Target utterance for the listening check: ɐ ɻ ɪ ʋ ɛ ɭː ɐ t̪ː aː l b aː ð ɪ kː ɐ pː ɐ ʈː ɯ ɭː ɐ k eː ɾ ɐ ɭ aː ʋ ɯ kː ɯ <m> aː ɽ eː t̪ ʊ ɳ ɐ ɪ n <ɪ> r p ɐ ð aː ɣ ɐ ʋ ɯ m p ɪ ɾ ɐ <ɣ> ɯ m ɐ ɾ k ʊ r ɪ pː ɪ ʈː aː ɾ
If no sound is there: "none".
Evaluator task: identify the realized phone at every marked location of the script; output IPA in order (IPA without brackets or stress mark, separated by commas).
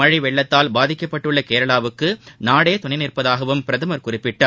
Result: n, ɪ, ð